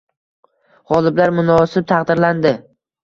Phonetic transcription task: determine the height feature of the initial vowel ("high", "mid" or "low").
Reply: low